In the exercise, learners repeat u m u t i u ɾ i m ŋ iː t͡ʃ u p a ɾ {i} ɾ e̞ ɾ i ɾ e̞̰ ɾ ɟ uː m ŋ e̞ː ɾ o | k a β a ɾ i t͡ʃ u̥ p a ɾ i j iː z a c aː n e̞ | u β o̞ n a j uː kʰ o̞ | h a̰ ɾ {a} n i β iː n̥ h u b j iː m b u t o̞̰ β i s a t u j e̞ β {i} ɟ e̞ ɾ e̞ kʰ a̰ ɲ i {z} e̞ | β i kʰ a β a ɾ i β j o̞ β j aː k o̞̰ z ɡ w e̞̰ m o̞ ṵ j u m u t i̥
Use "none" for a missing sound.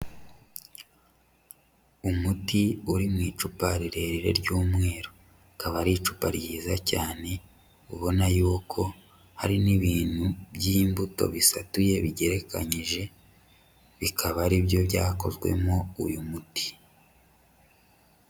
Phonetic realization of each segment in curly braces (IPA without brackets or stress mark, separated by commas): i, i, i, ʒ